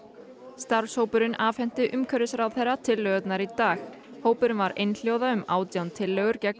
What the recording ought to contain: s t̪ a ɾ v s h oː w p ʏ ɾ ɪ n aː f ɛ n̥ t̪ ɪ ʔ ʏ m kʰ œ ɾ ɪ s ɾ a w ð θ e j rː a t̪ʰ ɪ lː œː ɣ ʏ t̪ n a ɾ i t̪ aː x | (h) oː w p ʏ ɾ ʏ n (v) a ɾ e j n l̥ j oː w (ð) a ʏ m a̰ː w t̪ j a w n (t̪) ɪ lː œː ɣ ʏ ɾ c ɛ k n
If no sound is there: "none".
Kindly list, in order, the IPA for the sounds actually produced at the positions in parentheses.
h, v, ð, t̪ʰ

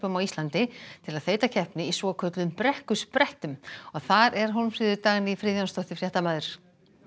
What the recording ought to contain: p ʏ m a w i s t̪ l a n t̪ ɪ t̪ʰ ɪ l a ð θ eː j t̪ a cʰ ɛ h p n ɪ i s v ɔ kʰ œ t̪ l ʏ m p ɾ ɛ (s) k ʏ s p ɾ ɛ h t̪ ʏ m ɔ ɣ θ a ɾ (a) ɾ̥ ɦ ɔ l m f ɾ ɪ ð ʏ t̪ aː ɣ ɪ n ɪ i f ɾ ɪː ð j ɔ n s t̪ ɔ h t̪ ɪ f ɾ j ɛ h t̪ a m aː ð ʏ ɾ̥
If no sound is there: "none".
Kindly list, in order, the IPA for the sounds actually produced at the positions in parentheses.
h, ɛ

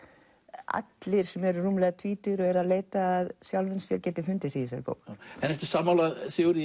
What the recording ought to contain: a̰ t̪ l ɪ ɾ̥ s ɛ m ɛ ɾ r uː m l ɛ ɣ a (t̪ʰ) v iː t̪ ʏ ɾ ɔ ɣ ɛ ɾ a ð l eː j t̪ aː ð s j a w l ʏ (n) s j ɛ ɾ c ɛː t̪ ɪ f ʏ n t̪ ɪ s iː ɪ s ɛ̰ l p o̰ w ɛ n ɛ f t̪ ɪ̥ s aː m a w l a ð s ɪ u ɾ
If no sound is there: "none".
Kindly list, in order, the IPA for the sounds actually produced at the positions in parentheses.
t̪ʰ, n

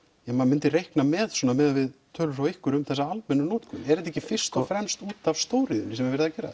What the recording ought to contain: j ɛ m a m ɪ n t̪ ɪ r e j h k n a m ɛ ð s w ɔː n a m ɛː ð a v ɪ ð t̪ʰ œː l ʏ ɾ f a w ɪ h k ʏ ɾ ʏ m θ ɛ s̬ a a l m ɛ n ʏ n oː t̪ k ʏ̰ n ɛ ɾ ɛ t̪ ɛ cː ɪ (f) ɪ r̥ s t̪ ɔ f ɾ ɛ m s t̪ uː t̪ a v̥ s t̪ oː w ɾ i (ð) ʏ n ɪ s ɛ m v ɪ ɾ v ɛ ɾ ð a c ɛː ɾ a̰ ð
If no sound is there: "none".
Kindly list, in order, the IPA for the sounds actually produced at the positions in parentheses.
f, ð

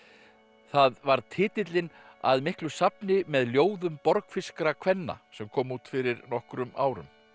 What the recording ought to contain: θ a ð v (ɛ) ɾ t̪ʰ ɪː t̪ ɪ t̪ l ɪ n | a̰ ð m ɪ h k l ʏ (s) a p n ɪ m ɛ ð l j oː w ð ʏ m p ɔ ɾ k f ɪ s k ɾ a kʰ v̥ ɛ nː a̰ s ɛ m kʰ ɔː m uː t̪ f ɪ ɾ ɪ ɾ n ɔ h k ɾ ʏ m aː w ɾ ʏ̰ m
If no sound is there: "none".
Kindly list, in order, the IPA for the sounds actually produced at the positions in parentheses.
a, s

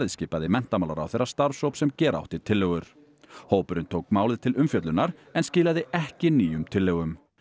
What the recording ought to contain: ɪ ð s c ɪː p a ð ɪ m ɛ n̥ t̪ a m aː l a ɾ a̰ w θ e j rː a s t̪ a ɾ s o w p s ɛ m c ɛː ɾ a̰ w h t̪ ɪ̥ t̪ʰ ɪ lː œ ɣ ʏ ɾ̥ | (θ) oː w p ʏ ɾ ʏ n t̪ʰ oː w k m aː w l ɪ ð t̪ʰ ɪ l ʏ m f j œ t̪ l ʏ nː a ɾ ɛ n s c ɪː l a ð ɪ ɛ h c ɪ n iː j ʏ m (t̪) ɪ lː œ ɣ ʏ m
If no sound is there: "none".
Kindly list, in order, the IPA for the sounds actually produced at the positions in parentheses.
h, t̪ʰ

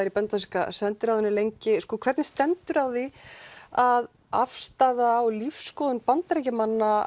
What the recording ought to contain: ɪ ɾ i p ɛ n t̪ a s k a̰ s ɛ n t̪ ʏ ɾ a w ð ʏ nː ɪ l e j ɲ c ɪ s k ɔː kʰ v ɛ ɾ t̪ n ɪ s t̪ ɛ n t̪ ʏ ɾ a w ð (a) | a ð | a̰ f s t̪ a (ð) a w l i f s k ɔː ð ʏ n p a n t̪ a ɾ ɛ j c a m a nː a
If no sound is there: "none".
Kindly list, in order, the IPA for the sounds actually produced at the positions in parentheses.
i, ð

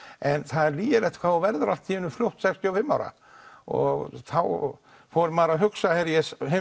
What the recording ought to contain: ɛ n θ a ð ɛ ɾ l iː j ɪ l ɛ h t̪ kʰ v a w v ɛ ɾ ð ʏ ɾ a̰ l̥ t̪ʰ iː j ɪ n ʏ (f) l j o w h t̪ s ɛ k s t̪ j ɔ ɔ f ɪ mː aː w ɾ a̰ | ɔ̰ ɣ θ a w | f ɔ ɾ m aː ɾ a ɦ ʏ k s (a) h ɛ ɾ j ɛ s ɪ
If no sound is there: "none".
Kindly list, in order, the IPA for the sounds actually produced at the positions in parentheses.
f, a

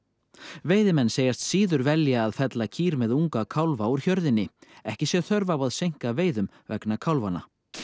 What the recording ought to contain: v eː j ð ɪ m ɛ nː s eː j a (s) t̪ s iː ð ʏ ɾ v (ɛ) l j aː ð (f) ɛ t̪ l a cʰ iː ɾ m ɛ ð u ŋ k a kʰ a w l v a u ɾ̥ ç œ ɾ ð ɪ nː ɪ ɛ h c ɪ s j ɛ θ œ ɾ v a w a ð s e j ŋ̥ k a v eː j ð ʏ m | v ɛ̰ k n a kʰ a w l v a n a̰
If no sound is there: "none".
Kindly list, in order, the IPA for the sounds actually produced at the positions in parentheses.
s, ɛ, f

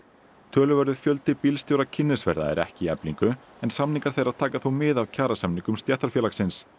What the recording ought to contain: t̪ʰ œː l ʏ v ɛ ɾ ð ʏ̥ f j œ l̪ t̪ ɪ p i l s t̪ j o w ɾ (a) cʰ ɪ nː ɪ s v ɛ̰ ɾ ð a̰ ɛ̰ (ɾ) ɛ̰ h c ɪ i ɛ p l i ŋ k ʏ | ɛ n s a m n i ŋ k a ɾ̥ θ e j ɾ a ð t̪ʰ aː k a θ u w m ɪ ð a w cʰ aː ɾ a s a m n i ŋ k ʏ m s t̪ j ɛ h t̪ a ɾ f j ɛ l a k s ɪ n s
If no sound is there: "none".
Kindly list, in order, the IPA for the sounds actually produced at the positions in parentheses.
a, ɾ

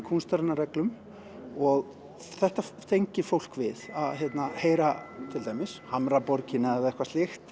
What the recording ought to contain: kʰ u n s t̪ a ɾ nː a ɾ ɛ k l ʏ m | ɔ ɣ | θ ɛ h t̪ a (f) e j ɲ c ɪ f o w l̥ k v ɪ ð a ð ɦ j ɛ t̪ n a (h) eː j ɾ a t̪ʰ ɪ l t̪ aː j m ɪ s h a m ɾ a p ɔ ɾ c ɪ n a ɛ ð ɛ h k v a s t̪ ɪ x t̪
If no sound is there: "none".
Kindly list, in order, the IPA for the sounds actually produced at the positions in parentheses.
θ, h

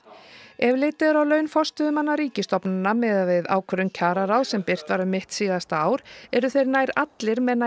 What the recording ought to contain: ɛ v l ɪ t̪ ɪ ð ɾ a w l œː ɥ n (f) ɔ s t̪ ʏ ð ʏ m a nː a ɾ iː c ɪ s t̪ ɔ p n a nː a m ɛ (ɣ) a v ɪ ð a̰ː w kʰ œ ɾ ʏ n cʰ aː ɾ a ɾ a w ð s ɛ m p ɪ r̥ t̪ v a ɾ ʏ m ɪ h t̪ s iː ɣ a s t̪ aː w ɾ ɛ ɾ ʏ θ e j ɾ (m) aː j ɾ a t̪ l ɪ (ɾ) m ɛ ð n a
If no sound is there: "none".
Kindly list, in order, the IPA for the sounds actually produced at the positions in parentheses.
f, ð, n, ɾ

